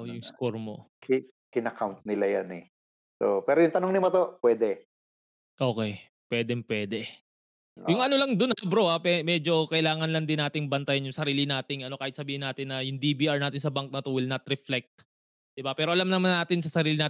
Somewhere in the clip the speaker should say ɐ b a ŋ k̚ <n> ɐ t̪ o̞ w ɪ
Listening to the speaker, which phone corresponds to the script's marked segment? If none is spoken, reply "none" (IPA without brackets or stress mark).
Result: n